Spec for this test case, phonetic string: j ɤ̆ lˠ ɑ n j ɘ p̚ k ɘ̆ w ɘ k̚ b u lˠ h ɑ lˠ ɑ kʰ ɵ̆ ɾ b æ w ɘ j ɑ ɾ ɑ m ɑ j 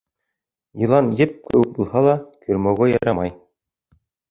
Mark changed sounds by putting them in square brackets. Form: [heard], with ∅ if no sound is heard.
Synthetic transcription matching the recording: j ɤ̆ lˠ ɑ n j ɘ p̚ k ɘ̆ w ɘ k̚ b u lˠ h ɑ lˠ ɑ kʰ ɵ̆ ɾ [m] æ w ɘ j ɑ ɾ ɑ m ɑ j